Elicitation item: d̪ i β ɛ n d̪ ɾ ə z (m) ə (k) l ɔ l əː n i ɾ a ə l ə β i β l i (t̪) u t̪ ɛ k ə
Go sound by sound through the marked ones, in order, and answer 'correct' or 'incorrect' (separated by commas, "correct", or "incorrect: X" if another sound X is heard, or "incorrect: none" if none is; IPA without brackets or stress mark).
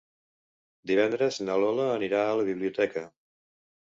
incorrect: n, incorrect: none, incorrect: none